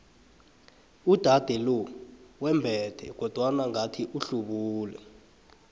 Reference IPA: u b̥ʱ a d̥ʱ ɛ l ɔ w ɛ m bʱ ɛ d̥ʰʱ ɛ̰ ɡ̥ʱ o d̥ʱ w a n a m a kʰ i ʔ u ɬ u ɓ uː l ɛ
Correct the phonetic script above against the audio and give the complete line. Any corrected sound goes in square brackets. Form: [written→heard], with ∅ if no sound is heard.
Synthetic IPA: u [b̥ʱ→d̥ʱ] a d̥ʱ ɛ l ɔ w ɛ m bʱ ɛ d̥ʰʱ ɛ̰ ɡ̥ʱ [o→ɔ] d̥ʱ w a n a [m→ŋ] a [kʰ→tʰ] i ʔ u ɬ u ɓ uː l ɛ